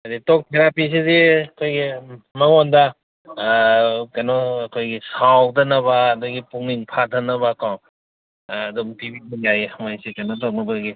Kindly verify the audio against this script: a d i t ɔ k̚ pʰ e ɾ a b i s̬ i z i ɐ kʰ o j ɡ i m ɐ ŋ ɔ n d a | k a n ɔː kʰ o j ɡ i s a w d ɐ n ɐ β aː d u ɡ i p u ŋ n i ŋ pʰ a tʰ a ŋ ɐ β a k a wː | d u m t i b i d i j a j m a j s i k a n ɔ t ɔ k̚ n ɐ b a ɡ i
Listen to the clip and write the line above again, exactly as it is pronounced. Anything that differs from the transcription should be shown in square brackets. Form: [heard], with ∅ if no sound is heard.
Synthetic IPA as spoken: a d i t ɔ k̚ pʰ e ɾ a [p] i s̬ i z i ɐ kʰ o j ɡ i m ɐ ŋ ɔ n d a | k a n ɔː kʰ o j ɡ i s a w d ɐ n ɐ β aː d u ɡ i p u ŋ n i ŋ pʰ a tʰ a [n] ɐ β a k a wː | d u m t i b i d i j a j m a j s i k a n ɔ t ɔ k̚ n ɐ b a ɡ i